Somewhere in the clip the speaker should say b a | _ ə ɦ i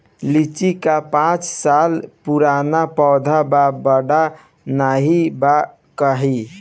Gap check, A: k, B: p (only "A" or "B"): A